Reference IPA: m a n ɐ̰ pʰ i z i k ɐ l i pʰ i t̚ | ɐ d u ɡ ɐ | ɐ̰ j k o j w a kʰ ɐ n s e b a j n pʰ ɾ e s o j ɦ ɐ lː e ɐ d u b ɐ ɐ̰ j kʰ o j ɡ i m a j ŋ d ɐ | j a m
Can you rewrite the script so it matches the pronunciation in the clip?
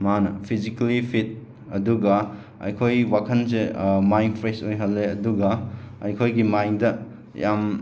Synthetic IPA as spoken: m a n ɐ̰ pʰ i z i k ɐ l i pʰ i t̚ | ɐ d u ɡ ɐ | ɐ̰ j kʰ o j w a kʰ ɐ n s e m a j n pʰ ɾ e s o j ɦ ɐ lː e ɐ d u ɡ ɐ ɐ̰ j kʰ o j ɡ i m a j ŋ d ɐ | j a m